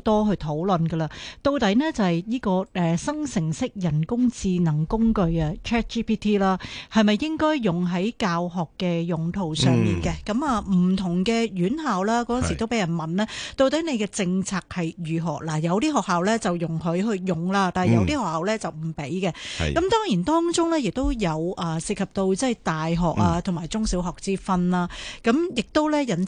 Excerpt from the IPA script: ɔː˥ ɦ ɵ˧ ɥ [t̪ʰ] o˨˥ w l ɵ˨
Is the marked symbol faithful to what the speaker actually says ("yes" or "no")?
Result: yes